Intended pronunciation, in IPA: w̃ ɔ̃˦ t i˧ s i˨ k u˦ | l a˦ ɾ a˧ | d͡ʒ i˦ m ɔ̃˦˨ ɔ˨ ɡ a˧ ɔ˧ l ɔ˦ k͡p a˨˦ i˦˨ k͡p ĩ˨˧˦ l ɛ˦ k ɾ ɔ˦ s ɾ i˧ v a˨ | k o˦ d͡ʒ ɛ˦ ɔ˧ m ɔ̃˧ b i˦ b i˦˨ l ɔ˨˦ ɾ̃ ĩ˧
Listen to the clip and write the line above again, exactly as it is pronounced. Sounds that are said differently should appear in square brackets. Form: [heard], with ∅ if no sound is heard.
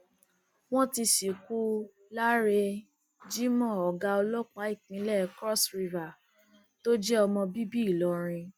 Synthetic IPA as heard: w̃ ɔ̃˦ t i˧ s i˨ k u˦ | l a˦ ɾ [e˧] | d͡ʒ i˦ m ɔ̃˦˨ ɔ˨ ɡ a˧ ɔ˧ l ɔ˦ k͡p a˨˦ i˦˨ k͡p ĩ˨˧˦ l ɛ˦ k ɾ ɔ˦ s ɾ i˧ v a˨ | [t] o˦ d͡ʒ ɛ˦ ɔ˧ m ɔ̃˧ b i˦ b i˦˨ l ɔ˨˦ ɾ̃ ĩ˧